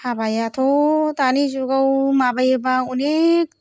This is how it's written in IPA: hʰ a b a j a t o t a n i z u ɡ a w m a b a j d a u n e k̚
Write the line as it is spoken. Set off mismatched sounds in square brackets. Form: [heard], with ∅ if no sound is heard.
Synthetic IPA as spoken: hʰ a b a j a [tʰ] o t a n i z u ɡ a w m a b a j [b] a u n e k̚